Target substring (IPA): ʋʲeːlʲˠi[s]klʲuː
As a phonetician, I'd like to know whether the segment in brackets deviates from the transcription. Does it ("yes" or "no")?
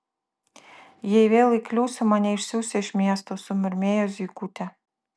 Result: yes